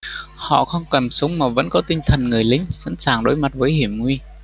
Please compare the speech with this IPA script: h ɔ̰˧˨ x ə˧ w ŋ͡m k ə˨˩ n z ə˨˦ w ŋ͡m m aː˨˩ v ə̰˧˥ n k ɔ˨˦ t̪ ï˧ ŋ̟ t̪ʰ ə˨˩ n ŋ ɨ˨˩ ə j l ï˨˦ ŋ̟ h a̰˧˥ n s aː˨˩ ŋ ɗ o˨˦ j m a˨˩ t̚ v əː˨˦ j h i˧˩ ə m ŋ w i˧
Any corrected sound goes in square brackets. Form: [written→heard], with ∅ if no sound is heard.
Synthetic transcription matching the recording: h ɔ̰˧˨ x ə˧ w ŋ͡m k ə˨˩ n [z→s] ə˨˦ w ŋ͡m m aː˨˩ v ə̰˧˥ n k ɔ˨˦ t̪ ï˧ ŋ̟ t̪ʰ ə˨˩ n ŋ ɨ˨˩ ə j l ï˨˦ ŋ̟ [h→s] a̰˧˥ n s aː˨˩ ŋ ɗ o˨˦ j m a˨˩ t̚ v əː˨˦ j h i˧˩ ə m ŋ w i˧